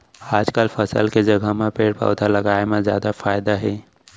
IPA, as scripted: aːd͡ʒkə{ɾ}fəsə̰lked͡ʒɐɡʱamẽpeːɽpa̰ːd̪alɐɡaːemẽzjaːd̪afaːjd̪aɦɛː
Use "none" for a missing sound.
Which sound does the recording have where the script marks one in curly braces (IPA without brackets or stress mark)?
l